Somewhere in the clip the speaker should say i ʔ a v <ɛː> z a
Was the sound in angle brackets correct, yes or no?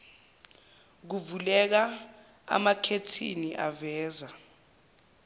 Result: yes